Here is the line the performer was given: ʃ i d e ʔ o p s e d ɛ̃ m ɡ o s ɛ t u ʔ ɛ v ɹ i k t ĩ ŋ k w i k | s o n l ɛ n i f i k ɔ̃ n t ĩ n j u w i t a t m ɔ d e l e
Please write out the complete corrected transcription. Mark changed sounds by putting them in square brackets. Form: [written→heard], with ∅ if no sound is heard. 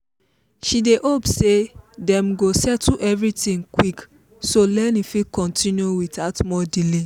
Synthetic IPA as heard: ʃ i d e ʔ o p s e d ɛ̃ m ɡ o s ɛ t u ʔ ɛ v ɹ i [k→∅] t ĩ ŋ k w i k | s o [n→∅] l ɛ n i f i k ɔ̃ n t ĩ n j u w i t a t m ɔ d [e→i] l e

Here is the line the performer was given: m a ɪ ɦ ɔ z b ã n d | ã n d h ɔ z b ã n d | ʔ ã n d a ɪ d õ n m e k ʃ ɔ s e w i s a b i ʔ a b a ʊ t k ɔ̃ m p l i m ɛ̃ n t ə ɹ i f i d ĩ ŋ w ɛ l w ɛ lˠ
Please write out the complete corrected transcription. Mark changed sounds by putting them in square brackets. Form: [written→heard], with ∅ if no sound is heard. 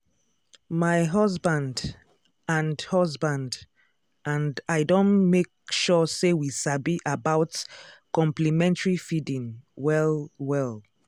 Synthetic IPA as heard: m a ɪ ɦ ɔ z b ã n d | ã n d h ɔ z b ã n d | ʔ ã n d a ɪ d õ n m e k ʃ ɔ s e w i s a b i ʔ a b a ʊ t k ɔ̃ m p l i m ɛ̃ n t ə ɹ i f i d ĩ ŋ w ɛ l w ɛ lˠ

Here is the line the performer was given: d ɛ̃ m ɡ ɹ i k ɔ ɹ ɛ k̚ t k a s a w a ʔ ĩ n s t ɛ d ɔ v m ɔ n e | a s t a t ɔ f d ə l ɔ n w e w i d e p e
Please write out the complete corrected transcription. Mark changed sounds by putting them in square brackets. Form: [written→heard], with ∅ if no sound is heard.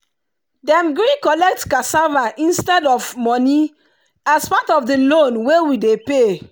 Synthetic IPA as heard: d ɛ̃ m ɡ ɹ i k ɔ [ɹ→l] ɛ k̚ t k a s a [w→v] a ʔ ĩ n s t ɛ d ɔ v m ɔ n [e→i] | a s [t→p] a t ɔ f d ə l [ɔ→o] n w e w i d e p e

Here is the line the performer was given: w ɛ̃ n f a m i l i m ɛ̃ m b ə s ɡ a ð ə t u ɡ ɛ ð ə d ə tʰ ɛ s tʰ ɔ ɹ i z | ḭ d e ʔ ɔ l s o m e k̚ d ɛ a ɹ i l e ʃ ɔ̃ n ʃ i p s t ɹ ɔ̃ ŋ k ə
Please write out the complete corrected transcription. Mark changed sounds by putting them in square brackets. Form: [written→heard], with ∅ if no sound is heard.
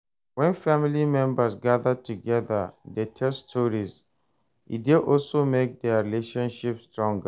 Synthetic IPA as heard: w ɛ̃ n f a m i l i m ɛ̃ m b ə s ɡ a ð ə t u ɡ ɛ ð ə d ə tʰ ɛ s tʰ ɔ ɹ i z | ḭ d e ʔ ɔ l s o m e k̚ d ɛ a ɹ i l e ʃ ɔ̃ n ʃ i p s t ɹ ɔ̃ ŋ [k→ɡ] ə

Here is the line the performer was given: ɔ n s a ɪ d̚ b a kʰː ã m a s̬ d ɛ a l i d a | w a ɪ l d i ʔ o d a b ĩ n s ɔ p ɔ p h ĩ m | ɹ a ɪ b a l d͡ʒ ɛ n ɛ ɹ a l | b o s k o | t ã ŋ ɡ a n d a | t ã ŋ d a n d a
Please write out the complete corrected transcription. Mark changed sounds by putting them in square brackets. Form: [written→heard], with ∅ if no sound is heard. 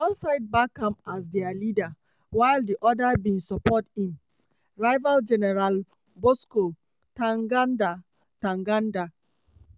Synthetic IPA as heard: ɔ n s a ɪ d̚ b a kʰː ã m a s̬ d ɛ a l i d a | w a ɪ l d i ʔ [o→ɔ] d a b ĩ n s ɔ p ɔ [p→t] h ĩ m | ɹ a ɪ [b→v] a l d͡ʒ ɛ n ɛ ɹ a l | b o s k o | t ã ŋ ɡ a n d a | t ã ŋ [d→ɡ] a n d a

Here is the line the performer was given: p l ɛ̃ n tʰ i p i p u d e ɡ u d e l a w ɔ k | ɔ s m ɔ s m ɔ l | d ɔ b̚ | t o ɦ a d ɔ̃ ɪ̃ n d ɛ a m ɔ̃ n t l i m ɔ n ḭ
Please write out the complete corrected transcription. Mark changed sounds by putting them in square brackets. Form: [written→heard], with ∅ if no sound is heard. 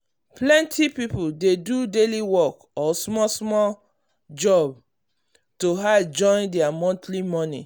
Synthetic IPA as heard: p l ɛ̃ n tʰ i p i p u d e [ɡ→d] u d e l [a→i] w ɔ k | ɔ s m ɔ s m ɔ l | [d→d͡ʒ] ɔ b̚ | t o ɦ a [d→d͡ʒ] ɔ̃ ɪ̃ n d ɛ a m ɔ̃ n t l i m ɔ n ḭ

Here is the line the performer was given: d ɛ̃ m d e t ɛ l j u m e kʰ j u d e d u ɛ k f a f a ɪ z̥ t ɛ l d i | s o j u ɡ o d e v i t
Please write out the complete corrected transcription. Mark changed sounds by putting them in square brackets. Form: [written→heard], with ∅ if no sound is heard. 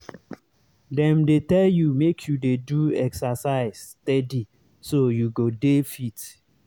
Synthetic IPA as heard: d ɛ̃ m d e t ɛ l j u m e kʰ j u d e d u ɛ k [f→s] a [f→s] a ɪ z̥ t ɛ [l→∅] d i | s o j u ɡ o d e [v→f] i t

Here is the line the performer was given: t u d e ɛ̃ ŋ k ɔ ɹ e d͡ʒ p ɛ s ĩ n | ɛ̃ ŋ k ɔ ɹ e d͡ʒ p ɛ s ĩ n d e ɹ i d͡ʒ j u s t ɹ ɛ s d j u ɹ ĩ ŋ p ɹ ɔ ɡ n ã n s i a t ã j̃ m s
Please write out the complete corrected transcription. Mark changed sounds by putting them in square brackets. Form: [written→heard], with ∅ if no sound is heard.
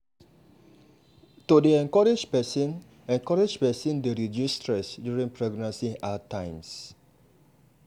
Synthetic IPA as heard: t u d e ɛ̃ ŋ k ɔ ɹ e d͡ʒ p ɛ s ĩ n | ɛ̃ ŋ k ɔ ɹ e d͡ʒ p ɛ s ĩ n d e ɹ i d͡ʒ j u s t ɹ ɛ s d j u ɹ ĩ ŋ p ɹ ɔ ɡ n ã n s i a t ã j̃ m s

